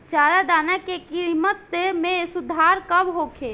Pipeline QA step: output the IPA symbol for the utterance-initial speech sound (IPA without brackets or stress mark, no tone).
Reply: t͡ʃ